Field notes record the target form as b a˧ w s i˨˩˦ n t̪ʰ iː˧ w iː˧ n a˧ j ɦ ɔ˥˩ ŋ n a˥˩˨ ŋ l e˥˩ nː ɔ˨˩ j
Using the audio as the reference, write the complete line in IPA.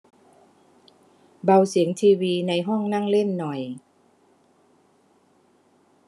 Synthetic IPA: b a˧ w s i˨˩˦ ŋ t̪ʰ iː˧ w iː˧ n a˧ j ɦ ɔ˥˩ ŋ n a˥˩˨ ŋ l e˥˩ nː ɔ˨˩ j